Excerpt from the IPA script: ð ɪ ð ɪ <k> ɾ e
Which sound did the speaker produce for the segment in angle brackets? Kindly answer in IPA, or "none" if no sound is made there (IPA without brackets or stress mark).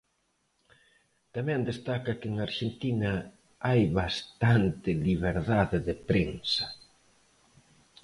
p